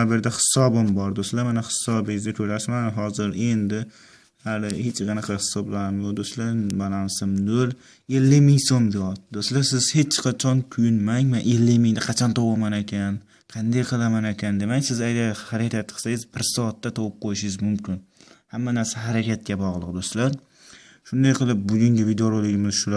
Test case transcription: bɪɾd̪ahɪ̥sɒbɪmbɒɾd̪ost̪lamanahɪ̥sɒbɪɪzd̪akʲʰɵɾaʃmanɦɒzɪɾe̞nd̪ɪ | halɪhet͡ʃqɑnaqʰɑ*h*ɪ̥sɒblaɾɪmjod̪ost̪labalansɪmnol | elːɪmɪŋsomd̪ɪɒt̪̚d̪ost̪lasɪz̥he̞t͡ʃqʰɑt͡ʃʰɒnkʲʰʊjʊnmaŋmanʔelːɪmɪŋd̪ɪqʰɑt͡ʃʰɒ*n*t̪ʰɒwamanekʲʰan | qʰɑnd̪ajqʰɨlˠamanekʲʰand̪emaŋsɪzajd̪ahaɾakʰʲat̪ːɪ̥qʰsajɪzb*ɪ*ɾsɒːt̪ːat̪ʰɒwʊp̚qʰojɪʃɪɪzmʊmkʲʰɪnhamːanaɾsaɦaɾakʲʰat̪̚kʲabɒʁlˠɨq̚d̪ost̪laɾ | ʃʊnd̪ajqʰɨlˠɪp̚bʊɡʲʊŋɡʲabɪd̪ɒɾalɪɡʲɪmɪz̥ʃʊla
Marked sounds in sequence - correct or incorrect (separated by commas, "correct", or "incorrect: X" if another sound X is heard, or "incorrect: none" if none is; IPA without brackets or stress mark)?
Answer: correct, correct, correct